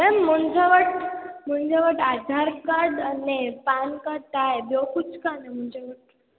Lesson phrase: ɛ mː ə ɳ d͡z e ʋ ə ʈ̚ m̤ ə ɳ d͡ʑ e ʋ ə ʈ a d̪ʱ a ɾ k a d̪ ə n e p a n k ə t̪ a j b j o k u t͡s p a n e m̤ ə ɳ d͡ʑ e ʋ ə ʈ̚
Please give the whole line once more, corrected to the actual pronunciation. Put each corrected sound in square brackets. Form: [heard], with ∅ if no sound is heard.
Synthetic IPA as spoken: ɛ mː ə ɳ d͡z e ʋ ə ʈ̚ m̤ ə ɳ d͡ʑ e ʋ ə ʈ a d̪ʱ a ɾ k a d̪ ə n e p a n k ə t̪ a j b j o k u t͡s [k] a n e m̤ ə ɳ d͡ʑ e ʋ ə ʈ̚